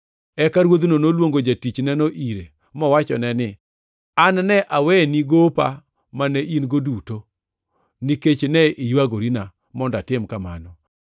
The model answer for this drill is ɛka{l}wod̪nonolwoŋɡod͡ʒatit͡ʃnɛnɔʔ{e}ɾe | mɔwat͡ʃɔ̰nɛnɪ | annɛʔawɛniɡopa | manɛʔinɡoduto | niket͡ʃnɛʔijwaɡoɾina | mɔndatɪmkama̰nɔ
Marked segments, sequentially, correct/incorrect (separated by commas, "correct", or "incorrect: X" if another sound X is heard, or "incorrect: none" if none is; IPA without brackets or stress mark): incorrect: ɾ, incorrect: i